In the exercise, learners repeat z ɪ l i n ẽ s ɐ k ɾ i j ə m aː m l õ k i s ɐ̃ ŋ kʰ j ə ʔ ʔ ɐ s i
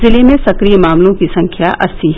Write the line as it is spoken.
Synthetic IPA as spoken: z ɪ l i m ẽ s ɐ k ɾ i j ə m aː m l õ k i s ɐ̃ ŋ kʰ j a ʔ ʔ ɐ s i